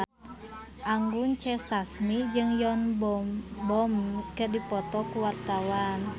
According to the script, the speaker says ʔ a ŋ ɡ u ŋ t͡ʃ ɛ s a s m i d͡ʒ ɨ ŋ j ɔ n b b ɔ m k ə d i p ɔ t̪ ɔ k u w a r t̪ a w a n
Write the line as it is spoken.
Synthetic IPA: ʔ a ŋ ɡ u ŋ t͡ʃ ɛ s a s m i d͡ʒ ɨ ŋ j ɔ n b b ɔ m k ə d i p ɔ t̪ ɔ k u w a r t̪ a w a n